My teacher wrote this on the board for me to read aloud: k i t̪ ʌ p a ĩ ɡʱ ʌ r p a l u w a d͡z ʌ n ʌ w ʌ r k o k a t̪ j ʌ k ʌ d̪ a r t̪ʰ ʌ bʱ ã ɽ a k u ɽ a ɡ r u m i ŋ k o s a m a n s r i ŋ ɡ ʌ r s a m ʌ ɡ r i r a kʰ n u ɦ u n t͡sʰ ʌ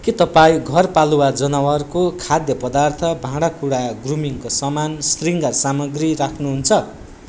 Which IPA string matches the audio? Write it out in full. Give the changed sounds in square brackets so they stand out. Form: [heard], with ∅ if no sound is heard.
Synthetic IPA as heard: k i t̪ ʌ p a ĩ ɡʱ ʌ r p a l u w a d͡z ʌ n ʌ w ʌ r k o [kʰ] a [d̪] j ʌ [p] ʌ d̪ a r t̪ʰ ʌ bʱ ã ɽ a k u ɽ a ɡ r u m i ŋ k o s [ʌ] m a n s r i ŋ ɡ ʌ r s a m ʌ ɡ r i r a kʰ n u ɦ u n t͡sʰ ʌ